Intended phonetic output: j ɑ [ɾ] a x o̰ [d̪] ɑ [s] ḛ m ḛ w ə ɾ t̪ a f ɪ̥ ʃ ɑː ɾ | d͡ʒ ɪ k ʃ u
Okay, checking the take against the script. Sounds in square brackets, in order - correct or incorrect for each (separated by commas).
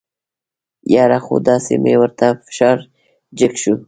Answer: correct, correct, correct